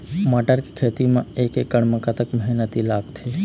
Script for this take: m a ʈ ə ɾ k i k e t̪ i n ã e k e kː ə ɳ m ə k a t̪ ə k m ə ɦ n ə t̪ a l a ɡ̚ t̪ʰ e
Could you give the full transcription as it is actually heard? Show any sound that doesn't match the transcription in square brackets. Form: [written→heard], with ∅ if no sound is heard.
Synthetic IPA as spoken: m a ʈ ə ɾ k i [k→kʰ] e t̪ i [n→m] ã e k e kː ə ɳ m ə k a t̪ ə k m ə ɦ n ə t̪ [a→i] l a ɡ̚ t̪ʰ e